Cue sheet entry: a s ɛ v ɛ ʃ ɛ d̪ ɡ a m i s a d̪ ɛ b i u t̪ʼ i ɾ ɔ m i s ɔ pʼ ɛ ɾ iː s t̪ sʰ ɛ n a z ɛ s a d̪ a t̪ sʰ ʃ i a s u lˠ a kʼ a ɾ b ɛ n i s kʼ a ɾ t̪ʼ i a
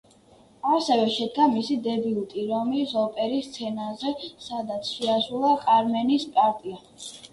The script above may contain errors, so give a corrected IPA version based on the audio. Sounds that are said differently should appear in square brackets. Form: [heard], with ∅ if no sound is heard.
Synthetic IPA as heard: a s ɛ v ɛ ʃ ɛ d̪ ɡ a m i s [i] d̪ ɛ b i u t̪ʼ i ɾ ɔ m i s ɔ pʼ ɛ ɾ [i] s t̪ sʰ ɛ n a z ɛ s a d̪ a t̪ sʰ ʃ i a s u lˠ a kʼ a ɾ [m] ɛ n i s [pʼ] a ɾ t̪ʼ i a